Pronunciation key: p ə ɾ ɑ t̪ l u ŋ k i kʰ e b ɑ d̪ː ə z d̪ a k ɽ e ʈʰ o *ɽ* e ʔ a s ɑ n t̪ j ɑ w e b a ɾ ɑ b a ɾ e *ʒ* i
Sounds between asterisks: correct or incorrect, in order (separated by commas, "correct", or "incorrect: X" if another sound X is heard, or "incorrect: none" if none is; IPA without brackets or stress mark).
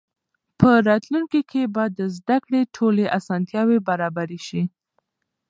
incorrect: l, incorrect: ʃ